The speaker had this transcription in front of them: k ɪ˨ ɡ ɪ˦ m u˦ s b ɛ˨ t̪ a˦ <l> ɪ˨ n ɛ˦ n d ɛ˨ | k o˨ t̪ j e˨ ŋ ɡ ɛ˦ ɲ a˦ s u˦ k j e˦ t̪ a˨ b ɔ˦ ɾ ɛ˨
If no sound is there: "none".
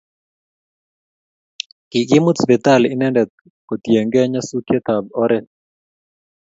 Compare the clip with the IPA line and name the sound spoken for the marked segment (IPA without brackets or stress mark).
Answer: l